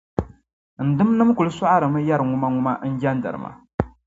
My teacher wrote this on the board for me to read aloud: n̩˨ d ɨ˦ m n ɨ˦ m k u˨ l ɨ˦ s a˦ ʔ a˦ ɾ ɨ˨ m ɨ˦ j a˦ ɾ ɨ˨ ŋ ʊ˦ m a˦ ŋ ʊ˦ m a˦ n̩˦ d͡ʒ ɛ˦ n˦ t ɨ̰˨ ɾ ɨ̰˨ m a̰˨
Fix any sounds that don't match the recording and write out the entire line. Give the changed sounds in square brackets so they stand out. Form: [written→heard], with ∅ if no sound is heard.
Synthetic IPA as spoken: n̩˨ d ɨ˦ m n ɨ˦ m k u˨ l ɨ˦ s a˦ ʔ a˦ ɾ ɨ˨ m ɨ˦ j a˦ ɾ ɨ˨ ŋ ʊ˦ m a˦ ŋ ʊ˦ m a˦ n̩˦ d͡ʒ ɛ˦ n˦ [t→d] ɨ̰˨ ɾ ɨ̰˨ m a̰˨